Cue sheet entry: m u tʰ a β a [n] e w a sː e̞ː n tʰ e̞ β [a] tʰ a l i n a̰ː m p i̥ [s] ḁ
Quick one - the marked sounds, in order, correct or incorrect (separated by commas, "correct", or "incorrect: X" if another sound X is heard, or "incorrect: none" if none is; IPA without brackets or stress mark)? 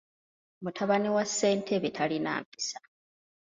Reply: correct, incorrect: e, correct